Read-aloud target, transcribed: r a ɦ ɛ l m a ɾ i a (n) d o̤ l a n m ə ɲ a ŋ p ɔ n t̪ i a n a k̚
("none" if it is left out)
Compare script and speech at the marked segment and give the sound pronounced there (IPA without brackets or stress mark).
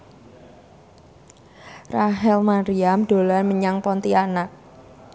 m